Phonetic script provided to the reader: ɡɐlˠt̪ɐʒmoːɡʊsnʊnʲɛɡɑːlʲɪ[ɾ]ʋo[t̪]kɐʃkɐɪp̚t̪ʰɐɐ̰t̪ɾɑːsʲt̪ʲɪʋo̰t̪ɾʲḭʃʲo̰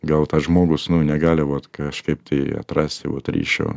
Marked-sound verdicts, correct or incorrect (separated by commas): incorrect, correct